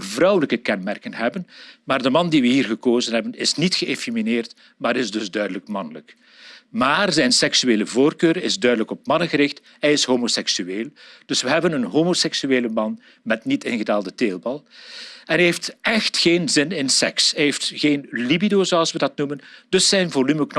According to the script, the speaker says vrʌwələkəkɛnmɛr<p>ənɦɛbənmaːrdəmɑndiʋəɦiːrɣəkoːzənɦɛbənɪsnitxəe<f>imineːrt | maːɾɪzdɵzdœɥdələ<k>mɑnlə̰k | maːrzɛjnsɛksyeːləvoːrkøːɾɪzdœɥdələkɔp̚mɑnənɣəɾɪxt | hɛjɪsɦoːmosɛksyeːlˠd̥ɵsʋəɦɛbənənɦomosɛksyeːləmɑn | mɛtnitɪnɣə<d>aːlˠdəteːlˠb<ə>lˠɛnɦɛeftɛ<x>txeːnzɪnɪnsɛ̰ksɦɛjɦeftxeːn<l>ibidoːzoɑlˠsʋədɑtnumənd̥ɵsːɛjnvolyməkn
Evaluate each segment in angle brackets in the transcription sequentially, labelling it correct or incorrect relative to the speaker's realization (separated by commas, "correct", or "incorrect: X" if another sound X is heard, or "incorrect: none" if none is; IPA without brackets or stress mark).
incorrect: k, correct, correct, correct, incorrect: ɑ, correct, correct